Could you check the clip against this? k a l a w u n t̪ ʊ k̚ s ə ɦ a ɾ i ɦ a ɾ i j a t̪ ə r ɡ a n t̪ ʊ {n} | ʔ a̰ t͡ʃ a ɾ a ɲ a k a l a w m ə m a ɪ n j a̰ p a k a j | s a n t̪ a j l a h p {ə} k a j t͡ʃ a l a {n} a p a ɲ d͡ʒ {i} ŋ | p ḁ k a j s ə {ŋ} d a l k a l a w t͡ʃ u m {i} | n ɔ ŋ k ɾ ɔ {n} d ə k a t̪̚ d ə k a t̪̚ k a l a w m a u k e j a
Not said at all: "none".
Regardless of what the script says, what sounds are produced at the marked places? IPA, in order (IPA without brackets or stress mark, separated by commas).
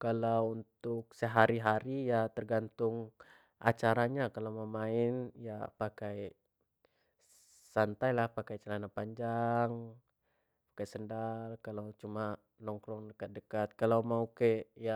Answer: ŋ, a, n, a, n, a, ŋ